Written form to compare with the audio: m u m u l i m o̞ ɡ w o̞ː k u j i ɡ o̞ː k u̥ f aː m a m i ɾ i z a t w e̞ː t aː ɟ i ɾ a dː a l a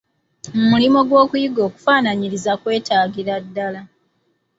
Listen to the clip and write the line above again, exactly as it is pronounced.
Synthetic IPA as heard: m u m u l i m o̞ ɡ w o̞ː k u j i ɡ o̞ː k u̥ f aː n a ɲ i ɾ i z a k w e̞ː t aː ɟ i ɾ a dː a l a